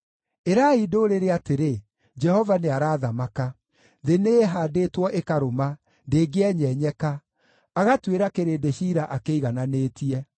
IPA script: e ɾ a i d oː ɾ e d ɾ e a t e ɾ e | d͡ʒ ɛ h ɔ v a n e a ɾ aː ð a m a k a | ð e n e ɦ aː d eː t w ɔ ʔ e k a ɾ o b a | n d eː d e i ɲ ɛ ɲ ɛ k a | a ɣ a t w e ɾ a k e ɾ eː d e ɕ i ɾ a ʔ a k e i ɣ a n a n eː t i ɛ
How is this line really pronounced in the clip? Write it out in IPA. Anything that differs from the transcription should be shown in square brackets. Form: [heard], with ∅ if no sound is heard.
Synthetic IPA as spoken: e ɾ a i d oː ɾ e [∅] ɾ e a t e ɾ e | d͡ʒ ɛ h ɔ v a n e a ɾ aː ð a m a k a | ð e n e ɦ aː d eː t w ɔ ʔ e k a ɾ o [m] a | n d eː [ɡ] e [ɛ] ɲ ɛ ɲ ɛ k a | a ɣ a t w e ɾ a k e ɾ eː d e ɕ i ɾ a ʔ a k e i ɣ a n a n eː t i ɛ